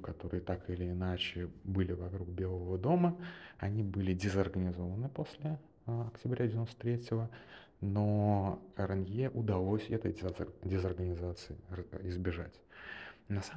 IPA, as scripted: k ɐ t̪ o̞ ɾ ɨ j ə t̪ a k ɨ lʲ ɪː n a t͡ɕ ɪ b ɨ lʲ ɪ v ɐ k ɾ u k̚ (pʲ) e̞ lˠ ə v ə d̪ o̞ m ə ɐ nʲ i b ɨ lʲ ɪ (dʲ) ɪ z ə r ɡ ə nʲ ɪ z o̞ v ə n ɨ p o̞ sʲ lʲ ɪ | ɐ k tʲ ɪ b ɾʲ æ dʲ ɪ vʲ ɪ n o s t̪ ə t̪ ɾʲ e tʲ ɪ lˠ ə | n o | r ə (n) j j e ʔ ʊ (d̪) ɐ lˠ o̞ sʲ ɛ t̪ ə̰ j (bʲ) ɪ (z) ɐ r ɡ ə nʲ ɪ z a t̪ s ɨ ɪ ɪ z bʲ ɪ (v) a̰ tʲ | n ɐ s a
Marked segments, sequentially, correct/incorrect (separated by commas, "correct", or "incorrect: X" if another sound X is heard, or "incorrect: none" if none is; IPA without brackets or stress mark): incorrect: bʲ, correct, correct, correct, incorrect: dʲ, correct, incorrect: ʐ